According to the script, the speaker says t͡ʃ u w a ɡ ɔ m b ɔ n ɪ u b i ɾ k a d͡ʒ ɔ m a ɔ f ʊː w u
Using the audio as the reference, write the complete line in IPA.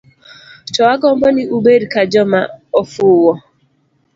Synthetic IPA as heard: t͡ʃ ɔ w a ɡ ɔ m b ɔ n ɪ u b e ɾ k a d͡ʒ ɔ m a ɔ f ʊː w ɔ